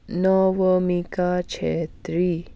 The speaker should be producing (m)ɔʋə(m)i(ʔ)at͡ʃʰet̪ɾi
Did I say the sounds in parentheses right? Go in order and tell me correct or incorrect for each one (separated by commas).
incorrect, correct, incorrect